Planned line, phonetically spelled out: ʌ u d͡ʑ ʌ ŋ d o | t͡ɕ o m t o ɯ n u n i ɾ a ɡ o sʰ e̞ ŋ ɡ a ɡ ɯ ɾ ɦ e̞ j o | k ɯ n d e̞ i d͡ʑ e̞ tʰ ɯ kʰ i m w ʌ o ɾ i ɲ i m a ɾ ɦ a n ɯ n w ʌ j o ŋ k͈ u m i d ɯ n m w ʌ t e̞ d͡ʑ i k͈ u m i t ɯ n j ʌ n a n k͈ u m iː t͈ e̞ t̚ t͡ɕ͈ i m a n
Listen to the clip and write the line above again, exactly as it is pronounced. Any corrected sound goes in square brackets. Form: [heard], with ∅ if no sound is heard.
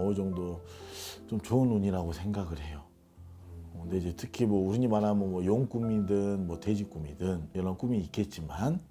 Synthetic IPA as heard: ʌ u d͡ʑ ʌ ŋ d o | t͡ɕ o m [t͡ɕ] o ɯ n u [ɲ] i ɾ a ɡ o sʰ e̞ ŋ ɡ a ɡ ɯ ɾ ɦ e̞ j o | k ɯ n d e̞ i d͡ʑ e̞ tʰ ɯ kʰ i m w ʌ [u] ɾ i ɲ i m a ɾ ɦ a [m] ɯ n w ʌ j o ŋ k͈ u m i d ɯ n m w ʌ t e̞ d͡ʑ i k͈ u m i [d] ɯ n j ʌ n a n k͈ u m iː [k͈] e̞ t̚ t͡ɕ͈ i m a n